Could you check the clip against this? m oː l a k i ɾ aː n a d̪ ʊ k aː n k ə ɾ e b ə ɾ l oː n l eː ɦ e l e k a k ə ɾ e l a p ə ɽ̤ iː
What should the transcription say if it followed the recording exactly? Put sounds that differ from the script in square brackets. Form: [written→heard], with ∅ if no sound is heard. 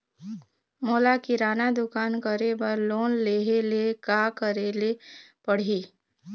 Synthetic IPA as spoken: m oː l a k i ɾ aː n a d̪ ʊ k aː n k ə ɾ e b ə ɾ l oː n l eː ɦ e l e k a k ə ɾ e l [a→e] p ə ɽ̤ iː